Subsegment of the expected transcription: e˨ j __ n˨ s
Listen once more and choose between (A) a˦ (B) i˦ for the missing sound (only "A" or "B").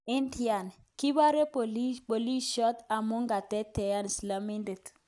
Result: A